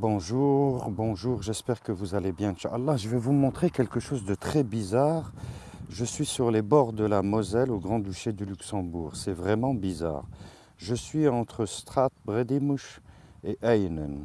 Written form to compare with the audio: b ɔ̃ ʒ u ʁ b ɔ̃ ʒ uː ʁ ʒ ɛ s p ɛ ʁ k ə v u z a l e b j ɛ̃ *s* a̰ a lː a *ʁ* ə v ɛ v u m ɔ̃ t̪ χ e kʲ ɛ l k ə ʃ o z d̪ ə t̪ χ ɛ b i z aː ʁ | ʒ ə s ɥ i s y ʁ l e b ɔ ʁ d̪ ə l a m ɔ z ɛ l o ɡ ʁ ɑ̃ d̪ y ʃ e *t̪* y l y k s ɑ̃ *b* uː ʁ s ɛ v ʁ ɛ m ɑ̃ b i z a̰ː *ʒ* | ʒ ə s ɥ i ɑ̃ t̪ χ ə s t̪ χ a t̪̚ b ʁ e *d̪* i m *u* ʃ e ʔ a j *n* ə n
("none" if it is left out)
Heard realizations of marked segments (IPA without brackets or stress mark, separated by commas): ʃ, ʒ, d̪, b, ʁ, d̪, u, n